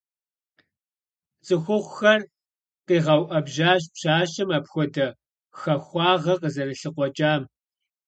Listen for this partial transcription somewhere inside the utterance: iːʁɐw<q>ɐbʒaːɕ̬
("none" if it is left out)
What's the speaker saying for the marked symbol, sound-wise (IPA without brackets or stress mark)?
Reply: ʔ